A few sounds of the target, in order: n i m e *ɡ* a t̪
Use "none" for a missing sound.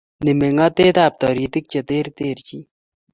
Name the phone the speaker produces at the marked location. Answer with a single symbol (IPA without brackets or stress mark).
ŋ